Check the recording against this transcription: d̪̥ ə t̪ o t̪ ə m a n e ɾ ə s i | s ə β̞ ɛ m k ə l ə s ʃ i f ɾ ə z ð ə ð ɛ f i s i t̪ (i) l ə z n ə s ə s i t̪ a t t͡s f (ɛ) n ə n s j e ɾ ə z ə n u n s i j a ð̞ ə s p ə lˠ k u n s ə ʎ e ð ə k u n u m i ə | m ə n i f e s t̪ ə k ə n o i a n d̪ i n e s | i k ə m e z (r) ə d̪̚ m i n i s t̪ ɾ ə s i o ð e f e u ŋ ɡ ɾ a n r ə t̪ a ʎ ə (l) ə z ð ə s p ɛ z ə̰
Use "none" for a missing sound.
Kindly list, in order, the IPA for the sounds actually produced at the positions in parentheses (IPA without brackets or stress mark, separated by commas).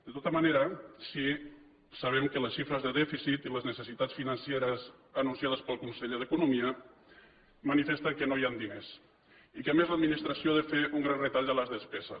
i, i, l, l